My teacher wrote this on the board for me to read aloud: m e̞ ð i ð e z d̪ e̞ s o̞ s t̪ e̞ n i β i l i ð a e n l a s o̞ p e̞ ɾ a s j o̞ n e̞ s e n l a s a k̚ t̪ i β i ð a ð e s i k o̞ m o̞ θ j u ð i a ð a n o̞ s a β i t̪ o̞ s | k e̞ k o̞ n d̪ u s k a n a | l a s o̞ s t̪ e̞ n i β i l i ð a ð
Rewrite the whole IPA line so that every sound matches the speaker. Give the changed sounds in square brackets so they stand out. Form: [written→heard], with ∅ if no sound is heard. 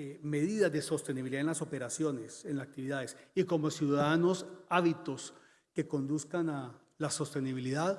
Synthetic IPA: m e̞ ð i ð [e→a] z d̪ e̞ s o̞ s t̪ e̞ n i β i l i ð a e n l a s o̞ p e̞ ɾ a s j o̞ n e̞ s e n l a s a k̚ t̪ i β i ð a ð e s i k o̞ m o̞ [θ→s] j u ð [i→a] a ð a n o̞ s a β i t̪ o̞ s | k e̞ k o̞ n d̪ u s k a n a | l a s o̞ s t̪ e̞ n i β i l i ð a ð